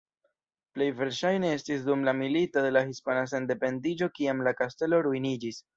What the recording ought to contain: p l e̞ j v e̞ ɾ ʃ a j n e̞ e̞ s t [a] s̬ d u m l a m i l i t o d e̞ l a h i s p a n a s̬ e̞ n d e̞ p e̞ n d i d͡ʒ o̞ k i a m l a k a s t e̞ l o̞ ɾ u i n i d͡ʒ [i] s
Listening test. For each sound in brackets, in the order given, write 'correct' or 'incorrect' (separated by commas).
incorrect, correct